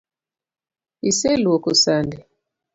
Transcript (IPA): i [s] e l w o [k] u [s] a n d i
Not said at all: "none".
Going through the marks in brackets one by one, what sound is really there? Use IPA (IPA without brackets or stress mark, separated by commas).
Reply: s, k, s